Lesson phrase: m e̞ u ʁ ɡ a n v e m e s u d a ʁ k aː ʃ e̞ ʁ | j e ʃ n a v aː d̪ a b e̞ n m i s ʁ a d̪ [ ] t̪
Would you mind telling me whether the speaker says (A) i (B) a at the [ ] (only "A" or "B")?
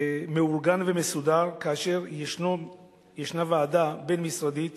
A